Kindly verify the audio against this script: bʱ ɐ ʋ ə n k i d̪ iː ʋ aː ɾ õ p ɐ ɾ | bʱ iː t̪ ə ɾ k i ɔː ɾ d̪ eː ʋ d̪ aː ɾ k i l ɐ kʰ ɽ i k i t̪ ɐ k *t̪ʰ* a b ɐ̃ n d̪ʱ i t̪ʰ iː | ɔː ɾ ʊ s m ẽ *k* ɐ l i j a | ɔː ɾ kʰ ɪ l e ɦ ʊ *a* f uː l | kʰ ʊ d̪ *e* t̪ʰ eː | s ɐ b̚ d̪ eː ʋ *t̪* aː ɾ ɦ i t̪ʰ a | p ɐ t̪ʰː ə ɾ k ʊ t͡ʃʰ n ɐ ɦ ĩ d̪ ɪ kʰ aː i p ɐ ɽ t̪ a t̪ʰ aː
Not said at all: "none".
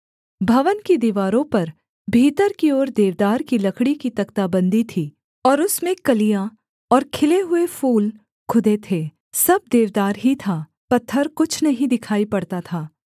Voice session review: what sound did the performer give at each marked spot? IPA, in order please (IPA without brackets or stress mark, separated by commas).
t̪, k, e, e, d̪